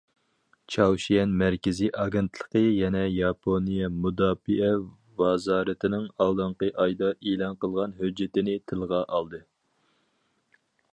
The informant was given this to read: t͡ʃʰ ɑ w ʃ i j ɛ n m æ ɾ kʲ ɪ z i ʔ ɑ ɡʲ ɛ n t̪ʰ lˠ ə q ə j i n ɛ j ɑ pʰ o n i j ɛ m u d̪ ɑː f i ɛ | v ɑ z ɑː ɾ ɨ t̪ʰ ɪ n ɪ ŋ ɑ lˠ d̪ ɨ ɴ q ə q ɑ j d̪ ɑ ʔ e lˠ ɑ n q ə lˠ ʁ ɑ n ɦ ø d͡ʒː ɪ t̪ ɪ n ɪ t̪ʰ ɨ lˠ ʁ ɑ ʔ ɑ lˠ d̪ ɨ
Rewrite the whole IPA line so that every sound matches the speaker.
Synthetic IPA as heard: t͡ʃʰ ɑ w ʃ i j ɛ n m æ ɾ kʲ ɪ z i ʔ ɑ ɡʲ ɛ n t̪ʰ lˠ ə q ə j ɛ n ɛ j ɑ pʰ o n i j ɛ m u d̪ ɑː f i ɛ | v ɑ z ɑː ɾ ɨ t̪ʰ ɪ n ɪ ŋ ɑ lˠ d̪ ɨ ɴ q ə ʔ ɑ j d̪ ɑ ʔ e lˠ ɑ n q ə lˠ ʁ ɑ n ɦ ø d͡ʒː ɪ t̪ ɪ n ɪ t̪ʰ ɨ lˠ ʁ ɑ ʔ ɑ lˠ d̪ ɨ